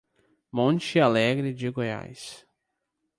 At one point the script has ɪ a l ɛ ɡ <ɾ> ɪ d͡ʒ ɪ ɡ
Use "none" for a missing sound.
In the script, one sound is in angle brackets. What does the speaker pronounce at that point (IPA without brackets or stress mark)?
ɾ